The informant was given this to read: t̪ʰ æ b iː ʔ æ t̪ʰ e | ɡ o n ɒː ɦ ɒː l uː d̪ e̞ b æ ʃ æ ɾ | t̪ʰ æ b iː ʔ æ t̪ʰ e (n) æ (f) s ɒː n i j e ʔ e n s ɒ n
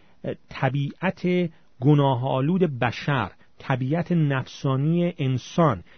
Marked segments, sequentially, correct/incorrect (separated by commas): correct, correct